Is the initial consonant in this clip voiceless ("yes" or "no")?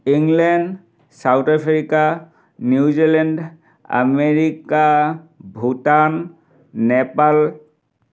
no